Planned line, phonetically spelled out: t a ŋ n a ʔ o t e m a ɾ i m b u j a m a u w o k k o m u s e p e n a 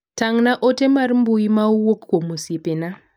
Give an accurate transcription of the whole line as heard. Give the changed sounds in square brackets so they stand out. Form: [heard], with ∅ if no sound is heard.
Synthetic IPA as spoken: t a ŋ n a ʔ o t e m a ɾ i m b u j [i] m a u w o k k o m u s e p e n a

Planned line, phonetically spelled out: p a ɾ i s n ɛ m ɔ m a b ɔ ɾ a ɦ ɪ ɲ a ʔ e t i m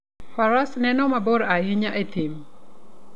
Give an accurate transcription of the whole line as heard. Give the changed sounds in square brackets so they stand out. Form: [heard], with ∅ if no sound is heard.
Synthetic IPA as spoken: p a ɾ [a] s n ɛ [n] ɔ m a b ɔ ɾ a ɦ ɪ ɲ a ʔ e t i m

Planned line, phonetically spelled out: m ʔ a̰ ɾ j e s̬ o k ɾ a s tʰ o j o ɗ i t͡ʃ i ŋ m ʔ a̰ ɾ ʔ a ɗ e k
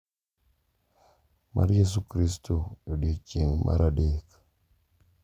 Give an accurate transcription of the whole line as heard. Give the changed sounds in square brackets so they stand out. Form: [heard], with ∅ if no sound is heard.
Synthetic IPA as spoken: m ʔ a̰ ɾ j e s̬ [u] k ɾ [i] s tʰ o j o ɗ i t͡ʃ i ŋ m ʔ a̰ ɾ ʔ a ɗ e k

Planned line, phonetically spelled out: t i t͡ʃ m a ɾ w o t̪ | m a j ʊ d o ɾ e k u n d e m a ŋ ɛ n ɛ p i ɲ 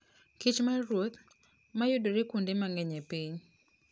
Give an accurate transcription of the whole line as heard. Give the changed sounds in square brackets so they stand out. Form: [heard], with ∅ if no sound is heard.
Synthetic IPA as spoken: [k] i t͡ʃ m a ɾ w o t̪ | m a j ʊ d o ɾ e k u n d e m a ŋ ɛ [ɲ] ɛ p i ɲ

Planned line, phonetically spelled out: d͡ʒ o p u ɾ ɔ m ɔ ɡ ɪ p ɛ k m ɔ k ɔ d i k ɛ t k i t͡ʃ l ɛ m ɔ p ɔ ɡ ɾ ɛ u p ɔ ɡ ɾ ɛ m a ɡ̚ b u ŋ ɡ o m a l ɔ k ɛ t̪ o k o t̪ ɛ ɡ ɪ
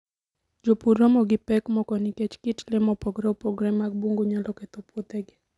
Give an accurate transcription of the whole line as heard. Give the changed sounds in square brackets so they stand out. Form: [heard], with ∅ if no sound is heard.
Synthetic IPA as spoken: d͡ʒ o p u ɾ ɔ m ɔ ɡ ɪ p ɛ k m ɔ k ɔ [n] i k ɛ [t͡ʃ] k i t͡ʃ l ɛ m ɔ p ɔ ɡ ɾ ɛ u p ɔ ɡ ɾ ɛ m a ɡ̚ b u ŋ ɡ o [ɲ] a l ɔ k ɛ t̪ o [p] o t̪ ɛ ɡ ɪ

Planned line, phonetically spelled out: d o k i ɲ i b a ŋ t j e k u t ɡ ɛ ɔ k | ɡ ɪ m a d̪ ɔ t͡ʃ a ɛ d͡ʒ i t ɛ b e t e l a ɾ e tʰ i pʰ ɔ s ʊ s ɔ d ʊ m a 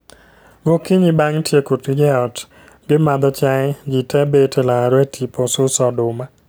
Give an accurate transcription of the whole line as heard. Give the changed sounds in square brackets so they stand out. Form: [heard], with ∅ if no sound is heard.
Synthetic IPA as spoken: [ɡ] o k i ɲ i b a ŋ t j e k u t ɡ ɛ ɔ [t] | ɡ ɪ m a d̪ ɔ t͡ʃ a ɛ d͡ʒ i t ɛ b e t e l a ɾ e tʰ i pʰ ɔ s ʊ s ɔ d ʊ m a

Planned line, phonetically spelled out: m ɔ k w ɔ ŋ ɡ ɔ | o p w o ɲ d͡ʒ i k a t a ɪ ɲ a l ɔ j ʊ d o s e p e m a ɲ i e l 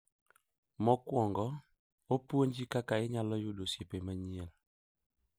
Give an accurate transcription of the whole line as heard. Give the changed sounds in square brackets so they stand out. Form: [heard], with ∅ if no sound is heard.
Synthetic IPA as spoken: m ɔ k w ɔ ŋ ɡ ɔ | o p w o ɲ d͡ʒ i k a [k] a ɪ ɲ a l ɔ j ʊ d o s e p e m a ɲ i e l

